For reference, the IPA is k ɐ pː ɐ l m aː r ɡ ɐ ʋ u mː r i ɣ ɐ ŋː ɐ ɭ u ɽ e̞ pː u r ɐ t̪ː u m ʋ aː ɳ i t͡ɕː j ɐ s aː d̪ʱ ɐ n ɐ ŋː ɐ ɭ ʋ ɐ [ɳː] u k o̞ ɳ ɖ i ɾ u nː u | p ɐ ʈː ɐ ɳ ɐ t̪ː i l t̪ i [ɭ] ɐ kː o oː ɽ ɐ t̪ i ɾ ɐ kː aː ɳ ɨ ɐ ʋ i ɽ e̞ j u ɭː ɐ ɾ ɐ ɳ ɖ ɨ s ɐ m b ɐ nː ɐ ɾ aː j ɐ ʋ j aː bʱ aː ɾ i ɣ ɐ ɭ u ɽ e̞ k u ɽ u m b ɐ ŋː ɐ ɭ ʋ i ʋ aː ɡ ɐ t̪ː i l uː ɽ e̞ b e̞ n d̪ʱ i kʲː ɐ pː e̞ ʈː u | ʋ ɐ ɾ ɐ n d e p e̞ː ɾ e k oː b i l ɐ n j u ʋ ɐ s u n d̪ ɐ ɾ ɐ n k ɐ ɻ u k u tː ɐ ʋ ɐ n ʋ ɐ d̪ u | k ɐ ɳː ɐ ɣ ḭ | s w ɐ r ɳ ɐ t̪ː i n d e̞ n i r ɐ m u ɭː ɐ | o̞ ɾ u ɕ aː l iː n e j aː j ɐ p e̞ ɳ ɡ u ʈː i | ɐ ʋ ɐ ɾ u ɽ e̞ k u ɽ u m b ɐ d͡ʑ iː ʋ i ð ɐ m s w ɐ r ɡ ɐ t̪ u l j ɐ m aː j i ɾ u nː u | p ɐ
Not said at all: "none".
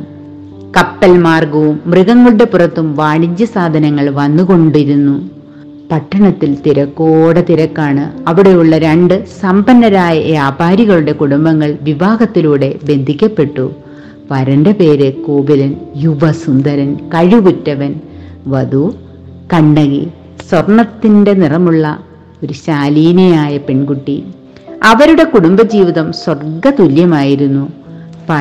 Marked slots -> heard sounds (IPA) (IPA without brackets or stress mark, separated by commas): nː, ɾ